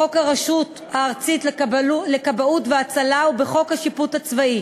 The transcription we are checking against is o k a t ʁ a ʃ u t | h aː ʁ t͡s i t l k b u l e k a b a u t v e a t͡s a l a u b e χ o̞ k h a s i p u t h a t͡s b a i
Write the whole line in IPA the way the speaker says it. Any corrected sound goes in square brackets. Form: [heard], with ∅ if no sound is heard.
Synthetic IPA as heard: o k a [∅] ʁ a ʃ u t | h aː ʁ t͡s i t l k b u l e k a b a u t v e a t͡s a l a u b e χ o̞ k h a [ʃ] i p u t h a t͡s [v] a i